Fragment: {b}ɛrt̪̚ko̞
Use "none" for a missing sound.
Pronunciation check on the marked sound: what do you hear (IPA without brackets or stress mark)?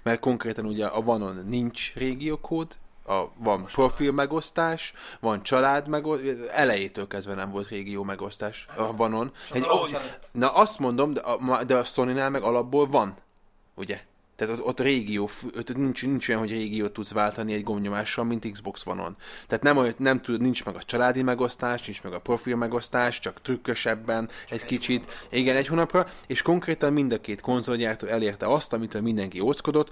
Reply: m